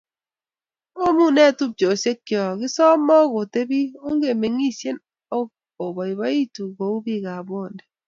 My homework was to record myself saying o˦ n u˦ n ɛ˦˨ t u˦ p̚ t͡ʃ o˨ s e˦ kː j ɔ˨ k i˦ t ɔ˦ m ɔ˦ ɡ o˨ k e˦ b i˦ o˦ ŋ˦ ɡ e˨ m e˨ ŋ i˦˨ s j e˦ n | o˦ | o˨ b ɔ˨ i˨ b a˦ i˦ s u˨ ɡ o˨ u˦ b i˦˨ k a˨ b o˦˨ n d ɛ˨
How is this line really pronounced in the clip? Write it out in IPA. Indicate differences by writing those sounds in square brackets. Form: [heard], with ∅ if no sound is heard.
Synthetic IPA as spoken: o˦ [m] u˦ n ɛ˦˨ t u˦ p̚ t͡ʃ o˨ s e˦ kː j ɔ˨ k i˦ [s] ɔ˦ m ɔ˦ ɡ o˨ [t] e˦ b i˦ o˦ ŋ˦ ɡ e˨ m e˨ ŋ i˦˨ s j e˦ n | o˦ | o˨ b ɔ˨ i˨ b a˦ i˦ [t] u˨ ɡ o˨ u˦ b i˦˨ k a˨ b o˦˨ n d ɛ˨